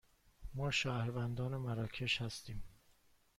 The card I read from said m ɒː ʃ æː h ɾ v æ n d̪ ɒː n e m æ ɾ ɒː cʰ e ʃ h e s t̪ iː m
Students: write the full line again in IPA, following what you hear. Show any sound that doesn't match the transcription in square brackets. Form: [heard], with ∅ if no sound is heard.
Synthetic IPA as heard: m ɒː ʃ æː h ɾ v æ n d̪ ɒː n e m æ ɾ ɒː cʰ e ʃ h [æ] s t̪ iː m

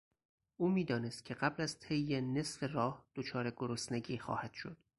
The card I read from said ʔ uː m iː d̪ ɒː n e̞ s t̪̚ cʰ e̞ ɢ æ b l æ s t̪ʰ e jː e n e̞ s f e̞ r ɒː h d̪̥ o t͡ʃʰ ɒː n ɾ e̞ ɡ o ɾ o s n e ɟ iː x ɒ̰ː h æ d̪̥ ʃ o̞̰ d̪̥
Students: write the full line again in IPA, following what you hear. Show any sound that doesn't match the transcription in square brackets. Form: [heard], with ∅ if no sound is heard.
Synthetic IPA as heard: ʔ uː m iː d̪ ɒː n e̞ s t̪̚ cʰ e̞ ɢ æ b l æ [z] t̪ʰ e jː e n e̞ s f e̞ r ɒː h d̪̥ o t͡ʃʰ ɒː [∅] ɾ e̞ ɡ o ɾ o s n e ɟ iː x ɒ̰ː h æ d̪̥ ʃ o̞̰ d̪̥

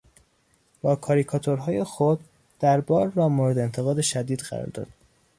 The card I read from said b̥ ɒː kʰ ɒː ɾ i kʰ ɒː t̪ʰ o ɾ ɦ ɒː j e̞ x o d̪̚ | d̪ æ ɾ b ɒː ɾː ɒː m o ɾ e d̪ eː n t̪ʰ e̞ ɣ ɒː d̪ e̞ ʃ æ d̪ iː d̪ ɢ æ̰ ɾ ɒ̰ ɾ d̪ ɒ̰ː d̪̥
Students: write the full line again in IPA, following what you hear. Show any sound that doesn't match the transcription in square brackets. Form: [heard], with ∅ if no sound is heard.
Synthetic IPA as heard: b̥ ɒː kʰ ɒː ɾ i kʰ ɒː t̪ʰ o ɾ ɦ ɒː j e̞ x o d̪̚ | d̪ æ ɾ b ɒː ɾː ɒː m o ɾ e d̪ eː n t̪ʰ e̞ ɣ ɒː d̪ e̞ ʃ æ d̪ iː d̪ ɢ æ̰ ɾ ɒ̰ ɾ d̪ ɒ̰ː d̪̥

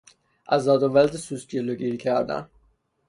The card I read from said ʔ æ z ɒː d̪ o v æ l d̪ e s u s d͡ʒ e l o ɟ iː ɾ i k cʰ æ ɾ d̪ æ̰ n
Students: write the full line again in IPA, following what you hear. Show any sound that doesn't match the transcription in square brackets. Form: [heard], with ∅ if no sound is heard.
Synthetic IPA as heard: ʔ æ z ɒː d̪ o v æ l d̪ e s u s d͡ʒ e l o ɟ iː ɾ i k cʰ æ ɾ d̪ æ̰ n

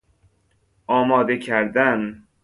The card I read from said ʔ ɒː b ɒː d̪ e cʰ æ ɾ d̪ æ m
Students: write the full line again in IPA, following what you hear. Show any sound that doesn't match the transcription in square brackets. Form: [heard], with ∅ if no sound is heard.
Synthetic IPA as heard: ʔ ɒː [m] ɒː d̪ e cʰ æ ɾ d̪ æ [n]

